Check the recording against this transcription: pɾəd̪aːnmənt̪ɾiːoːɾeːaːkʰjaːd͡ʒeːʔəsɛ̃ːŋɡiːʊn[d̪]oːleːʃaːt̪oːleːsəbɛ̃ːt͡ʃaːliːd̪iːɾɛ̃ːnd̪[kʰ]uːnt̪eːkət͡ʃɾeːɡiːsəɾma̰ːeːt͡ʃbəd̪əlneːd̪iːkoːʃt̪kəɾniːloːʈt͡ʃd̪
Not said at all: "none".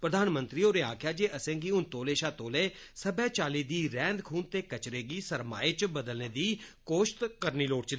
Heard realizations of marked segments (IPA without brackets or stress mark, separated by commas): t̪, kʰ